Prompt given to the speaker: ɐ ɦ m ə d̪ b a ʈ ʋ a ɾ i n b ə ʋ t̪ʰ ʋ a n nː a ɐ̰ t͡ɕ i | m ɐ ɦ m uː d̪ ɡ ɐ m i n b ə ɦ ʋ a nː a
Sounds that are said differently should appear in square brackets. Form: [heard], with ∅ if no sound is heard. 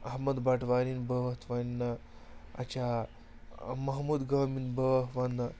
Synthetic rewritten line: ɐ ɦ m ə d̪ b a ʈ ʋ a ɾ i n b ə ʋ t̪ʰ ʋ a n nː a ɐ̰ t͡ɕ [a] | m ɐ ɦ m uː d̪ ɡ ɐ m i n b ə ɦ ʋ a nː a